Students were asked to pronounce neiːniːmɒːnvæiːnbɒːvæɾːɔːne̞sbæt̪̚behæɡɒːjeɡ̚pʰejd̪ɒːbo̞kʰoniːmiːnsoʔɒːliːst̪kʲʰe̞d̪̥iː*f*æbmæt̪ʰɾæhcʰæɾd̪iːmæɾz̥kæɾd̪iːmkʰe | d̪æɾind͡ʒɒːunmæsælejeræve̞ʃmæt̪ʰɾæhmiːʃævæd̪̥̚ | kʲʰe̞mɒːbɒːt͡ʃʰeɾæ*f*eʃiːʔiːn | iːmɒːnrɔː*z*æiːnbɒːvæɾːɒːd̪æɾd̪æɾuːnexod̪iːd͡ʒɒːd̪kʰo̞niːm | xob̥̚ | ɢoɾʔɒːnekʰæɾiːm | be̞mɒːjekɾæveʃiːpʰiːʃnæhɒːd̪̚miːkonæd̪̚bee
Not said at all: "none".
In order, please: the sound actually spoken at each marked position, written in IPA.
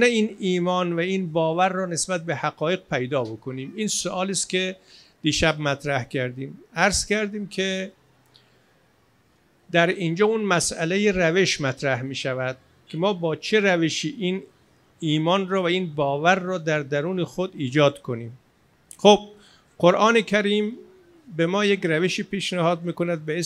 ʃ, v, v

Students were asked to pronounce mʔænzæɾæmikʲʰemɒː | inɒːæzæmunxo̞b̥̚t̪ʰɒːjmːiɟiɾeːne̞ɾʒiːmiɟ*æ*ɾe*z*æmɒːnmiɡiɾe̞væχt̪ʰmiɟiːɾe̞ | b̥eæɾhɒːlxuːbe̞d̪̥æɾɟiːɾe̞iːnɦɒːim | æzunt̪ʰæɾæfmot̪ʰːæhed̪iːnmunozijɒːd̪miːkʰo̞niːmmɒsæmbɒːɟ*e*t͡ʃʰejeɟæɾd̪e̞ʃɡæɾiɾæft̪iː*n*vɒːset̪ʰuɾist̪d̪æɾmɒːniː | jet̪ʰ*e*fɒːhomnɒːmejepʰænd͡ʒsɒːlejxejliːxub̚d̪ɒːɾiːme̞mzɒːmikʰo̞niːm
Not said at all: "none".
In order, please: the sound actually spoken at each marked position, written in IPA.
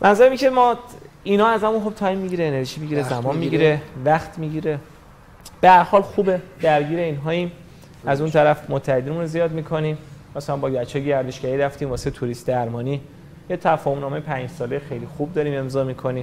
i, z, æ, m, æ

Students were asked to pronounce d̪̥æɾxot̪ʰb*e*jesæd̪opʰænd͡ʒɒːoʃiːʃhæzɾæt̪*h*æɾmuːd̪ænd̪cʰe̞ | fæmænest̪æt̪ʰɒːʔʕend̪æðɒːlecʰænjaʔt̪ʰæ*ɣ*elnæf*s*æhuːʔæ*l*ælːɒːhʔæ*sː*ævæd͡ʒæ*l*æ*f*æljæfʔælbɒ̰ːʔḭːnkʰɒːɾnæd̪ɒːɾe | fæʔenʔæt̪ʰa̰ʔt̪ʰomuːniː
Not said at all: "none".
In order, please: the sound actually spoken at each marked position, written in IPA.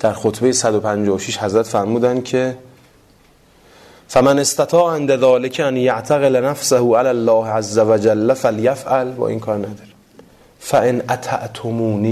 e, f, ɣ, s, l, zː, lː, f

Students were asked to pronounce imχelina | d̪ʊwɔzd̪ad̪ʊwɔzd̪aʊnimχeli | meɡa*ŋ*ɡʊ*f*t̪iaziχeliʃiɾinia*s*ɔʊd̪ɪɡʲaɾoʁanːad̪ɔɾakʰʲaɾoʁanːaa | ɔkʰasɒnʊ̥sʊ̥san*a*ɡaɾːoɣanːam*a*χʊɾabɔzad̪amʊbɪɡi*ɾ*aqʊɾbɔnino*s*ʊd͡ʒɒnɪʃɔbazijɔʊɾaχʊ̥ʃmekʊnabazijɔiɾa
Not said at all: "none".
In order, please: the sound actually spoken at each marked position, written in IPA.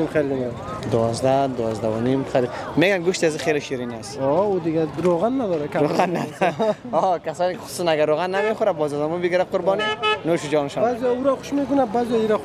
n, ʃ, s, a, e, ɾ, ʃ

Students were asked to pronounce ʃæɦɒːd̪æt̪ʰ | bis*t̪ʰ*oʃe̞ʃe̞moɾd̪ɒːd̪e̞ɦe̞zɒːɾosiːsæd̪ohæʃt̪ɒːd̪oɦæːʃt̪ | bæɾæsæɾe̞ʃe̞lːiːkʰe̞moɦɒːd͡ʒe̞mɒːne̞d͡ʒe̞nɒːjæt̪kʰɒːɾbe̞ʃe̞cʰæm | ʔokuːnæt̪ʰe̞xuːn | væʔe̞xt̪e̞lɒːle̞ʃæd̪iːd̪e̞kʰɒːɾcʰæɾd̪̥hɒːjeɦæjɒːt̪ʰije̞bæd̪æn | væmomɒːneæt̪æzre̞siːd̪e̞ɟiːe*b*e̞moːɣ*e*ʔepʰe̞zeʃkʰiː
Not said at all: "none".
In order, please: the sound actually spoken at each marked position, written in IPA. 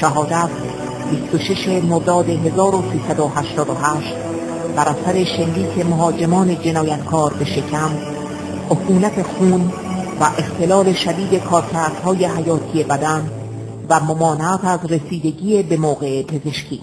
t̪, b, e

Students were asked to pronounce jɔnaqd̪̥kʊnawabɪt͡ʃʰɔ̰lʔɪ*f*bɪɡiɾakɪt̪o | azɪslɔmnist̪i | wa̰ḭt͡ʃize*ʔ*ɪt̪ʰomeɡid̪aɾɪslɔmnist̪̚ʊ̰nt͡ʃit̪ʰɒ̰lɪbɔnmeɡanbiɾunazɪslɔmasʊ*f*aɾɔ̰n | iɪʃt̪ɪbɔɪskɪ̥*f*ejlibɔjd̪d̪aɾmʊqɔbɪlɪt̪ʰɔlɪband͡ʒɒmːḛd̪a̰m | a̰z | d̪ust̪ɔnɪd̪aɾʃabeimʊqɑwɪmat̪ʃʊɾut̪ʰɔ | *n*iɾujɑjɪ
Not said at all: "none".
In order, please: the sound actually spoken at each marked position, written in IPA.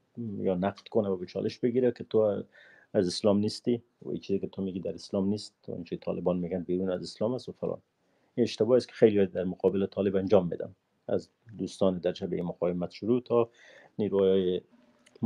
ʃ, k, f, x, n

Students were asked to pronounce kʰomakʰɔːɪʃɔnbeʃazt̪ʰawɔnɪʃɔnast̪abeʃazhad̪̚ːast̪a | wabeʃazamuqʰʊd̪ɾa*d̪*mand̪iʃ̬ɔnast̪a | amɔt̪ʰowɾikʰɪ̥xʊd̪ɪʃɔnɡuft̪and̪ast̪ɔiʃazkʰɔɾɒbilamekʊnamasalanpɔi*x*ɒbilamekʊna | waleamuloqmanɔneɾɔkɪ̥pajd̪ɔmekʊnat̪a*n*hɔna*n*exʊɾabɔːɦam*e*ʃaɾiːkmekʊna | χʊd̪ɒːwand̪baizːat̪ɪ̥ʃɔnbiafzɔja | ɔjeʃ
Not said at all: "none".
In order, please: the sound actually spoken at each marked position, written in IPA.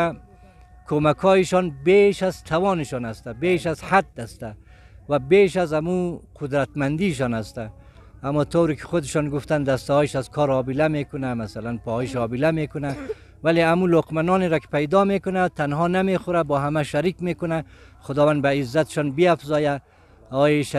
t̪, ʃ, n, m, a

